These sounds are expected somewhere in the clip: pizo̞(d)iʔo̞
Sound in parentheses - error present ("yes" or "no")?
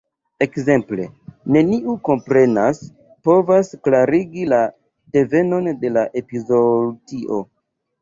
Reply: no